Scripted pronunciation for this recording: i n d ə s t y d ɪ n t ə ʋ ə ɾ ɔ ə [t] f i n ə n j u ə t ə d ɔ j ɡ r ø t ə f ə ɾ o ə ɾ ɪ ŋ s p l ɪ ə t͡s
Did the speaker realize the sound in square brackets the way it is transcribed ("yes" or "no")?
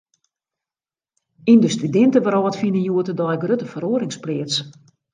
yes